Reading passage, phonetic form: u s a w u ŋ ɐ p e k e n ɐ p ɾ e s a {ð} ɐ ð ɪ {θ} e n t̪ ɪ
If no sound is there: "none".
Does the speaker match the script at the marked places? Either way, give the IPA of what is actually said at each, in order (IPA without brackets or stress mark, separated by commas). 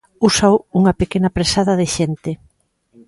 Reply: ð, ʃ